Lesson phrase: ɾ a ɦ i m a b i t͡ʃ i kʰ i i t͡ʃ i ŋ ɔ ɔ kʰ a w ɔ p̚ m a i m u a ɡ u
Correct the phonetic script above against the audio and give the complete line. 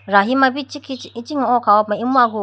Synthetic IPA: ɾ a ɦ i m a b i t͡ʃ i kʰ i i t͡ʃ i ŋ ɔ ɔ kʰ a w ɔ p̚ m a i m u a ɡ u